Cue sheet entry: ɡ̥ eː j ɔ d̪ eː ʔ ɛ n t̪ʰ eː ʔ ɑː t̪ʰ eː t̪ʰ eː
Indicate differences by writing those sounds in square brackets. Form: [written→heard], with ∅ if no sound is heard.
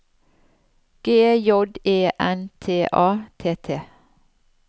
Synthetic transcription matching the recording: ɡ̥ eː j ɔ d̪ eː ʔ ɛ n t̪ʰ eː ʔ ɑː t̪ʰ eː t̪ʰ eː

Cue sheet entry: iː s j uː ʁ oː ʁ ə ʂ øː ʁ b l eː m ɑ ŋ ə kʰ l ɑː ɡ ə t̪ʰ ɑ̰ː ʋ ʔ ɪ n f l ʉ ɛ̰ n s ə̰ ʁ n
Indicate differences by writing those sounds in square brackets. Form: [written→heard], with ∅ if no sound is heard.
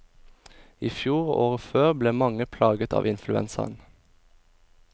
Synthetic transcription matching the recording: iː [s→f] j uː ʁ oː ʁ ə [ʂ→f] øː ʁ b l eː m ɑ ŋ ə [kʰ→pʰ] l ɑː ɡ ə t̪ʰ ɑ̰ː ʋ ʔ ɪ n f l ʉ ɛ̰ n s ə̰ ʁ n

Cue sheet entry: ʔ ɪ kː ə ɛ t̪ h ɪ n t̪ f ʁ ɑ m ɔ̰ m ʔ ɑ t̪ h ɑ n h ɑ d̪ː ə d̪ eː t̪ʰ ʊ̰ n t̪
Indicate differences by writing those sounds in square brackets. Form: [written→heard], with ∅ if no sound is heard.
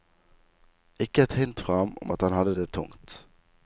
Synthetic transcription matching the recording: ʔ ɪ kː ə ɛ t̪ h ɪ n t̪ f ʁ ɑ m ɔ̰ m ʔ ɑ t̪ h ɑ n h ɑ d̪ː ə d̪ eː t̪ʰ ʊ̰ [n→ŋ] t̪

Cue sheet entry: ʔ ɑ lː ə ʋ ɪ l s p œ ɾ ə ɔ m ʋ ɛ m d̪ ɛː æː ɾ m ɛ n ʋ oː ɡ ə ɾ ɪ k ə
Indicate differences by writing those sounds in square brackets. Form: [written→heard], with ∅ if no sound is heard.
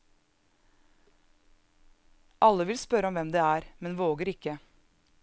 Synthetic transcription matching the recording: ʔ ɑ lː ə ʋ ɪ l s p œ ɾ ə ɔ m ʋ ɛ m d̪ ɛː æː ɾ m ɛ n ʋ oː ɡ ə ɾ ɪ k ə

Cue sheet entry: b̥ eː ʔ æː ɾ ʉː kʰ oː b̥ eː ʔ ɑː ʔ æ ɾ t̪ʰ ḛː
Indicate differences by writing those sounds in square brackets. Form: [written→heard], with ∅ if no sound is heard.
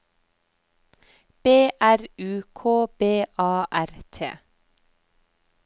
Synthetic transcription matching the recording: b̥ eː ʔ [æː→æ] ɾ ʉː kʰ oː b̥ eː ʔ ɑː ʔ æ ɾ t̪ʰ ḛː

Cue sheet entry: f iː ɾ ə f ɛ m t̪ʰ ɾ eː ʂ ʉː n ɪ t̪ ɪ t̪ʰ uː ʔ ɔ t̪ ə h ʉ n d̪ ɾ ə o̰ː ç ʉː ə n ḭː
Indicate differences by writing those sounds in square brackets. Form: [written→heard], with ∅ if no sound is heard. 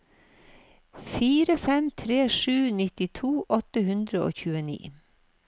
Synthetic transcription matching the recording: f iː ɾ ə f ɛ m t̪ʰ ɾ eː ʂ ʉː n ɪ t̪ ɪ t̪ʰ uː ʔ ɔ t̪ ə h ʉ n d̪ ɾ ə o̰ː ç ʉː ə n ḭː

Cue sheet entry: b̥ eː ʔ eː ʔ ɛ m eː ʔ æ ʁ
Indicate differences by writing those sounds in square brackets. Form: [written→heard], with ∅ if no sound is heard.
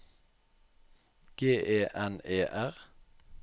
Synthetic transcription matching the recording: [b̥→ɡ̥] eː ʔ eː ʔ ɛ [m→n] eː ʔ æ ʁ

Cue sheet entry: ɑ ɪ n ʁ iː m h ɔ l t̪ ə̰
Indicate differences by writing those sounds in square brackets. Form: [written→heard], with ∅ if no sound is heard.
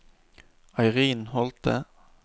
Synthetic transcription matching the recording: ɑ ɪ [n→∅] ʁ iː [m→n] h ɔ l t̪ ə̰

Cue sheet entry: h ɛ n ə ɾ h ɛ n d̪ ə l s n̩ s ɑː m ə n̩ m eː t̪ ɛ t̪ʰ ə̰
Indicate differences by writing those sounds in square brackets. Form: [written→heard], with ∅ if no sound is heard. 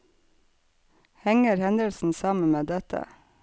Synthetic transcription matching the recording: h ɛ [n→ŋ] ə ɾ h ɛ n d̪ ə l s n̩ s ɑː m ə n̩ m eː [t̪→d̪] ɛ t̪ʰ ə̰

